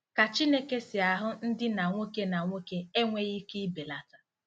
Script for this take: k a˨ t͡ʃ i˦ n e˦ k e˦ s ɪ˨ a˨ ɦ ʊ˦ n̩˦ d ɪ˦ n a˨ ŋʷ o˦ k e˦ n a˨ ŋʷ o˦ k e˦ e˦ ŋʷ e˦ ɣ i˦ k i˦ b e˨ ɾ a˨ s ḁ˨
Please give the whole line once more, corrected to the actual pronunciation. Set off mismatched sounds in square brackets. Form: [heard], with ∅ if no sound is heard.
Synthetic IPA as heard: k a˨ t͡ʃ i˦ n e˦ k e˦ s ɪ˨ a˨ ɦ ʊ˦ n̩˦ d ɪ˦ n a˨ ŋʷ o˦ k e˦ n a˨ ŋʷ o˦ k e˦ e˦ ŋʷ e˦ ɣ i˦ k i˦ b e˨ [l] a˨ [t] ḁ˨